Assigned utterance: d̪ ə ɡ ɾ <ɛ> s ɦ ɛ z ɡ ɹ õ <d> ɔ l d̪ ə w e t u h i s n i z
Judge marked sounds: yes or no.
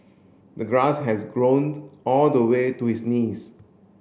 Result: no, no

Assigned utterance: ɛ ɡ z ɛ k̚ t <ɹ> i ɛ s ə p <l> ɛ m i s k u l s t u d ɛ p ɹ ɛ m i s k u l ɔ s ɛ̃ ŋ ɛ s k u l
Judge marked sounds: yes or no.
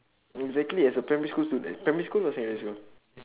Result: no, no

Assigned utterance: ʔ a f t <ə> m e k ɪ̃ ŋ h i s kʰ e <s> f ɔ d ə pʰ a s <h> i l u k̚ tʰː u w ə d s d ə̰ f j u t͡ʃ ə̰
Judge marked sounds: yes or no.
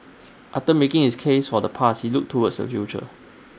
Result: yes, yes, yes

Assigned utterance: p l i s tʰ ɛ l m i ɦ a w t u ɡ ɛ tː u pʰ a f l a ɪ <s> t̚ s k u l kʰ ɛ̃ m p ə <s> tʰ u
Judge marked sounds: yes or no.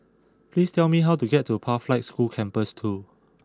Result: no, yes

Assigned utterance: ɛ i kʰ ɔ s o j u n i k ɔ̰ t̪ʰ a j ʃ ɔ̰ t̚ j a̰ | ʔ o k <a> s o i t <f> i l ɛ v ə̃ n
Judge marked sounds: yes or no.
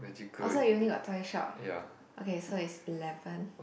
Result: no, no

